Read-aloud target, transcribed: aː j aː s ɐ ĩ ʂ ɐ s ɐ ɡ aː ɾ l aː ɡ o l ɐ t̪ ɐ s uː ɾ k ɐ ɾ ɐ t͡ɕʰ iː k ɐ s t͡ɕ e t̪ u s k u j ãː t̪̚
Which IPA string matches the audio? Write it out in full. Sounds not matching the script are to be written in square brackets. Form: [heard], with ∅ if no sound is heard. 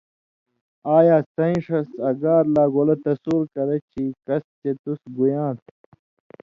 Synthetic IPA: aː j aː s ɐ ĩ ʂ ɐ s ɐ ɡ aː ɾ l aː ɡ o l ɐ t̪ ɐ s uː ɾ k ɐ ɾ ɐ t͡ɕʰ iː k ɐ s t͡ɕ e t̪ u s [ɡ] u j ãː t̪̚